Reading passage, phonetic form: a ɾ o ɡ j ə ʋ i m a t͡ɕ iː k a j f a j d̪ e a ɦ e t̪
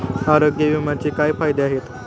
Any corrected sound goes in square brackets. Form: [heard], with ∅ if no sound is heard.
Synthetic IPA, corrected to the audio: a ɾ o ɡ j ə ʋ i m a t͡ɕ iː k a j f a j d̪ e a ɦ e t̪